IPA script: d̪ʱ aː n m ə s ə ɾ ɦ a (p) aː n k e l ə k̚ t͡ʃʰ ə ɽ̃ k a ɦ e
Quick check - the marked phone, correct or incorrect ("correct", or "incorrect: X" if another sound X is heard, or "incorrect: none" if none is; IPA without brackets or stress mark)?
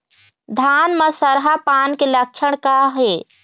correct